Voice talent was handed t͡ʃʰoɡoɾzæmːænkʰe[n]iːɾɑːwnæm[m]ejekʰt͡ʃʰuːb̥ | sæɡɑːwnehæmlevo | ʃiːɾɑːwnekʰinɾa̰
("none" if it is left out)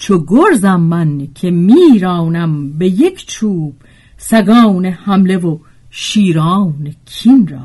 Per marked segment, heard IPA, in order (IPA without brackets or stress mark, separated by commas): m, b